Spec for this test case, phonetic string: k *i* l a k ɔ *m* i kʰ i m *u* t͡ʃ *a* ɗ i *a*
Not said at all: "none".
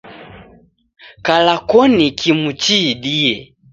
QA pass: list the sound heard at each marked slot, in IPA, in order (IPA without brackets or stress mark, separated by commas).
a, n, u, i, ɛ